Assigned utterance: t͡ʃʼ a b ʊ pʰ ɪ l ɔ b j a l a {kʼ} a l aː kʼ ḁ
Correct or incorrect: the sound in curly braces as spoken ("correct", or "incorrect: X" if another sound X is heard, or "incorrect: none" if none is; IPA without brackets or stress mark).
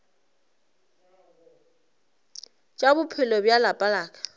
incorrect: pʼ